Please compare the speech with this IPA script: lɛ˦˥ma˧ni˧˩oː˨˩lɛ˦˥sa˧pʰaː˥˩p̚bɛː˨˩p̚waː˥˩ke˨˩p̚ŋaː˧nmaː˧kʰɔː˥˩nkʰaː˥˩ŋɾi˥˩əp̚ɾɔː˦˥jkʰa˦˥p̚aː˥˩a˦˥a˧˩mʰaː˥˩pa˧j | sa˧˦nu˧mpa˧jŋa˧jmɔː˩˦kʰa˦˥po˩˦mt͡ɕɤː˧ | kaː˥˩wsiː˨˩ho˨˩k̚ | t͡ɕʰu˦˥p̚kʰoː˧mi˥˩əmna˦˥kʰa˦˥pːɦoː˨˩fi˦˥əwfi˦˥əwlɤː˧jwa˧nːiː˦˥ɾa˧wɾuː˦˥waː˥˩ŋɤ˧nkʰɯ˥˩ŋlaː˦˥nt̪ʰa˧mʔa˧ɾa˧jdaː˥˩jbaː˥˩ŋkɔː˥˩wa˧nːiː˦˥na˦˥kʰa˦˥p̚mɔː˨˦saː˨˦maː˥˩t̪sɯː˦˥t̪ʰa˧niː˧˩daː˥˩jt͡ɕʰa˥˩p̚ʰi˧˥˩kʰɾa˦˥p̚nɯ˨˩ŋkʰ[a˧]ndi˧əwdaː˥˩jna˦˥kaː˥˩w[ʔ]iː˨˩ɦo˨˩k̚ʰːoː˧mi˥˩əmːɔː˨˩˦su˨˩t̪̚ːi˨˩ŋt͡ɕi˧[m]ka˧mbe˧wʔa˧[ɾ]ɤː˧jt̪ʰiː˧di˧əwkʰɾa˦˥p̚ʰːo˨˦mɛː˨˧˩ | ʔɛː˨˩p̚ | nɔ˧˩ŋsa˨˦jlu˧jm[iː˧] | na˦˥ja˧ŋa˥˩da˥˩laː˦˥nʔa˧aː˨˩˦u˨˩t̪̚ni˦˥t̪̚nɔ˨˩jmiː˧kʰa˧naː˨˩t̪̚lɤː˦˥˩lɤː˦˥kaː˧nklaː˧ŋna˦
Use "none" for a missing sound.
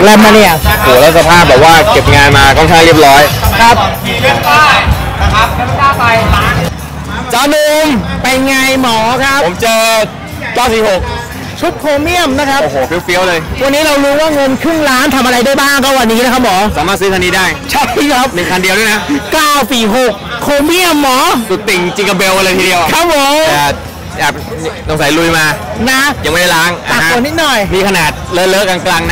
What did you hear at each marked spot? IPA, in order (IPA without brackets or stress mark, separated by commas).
a˧, p, ŋ, l, aː˧